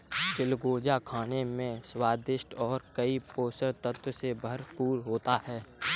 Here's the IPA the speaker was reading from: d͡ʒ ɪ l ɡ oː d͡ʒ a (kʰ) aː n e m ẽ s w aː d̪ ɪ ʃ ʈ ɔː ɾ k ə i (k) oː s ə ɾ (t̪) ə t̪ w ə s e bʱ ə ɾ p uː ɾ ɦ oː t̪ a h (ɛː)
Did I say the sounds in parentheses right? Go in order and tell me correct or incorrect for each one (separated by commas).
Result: correct, incorrect, correct, correct